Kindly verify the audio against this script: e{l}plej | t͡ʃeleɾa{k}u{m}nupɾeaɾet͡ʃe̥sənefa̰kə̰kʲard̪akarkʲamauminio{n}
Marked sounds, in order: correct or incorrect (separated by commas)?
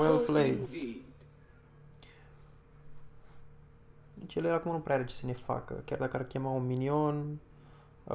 correct, correct, correct, correct